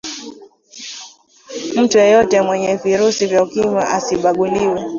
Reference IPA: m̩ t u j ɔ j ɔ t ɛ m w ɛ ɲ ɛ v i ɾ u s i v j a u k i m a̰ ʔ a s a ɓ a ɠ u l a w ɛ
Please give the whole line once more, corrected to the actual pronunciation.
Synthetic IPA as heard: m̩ t u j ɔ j ɔ t ɛ m w ɛ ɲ ɛ v i ɾ u s i v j a u k i m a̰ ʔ a s i ɓ a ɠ u l i w ɛ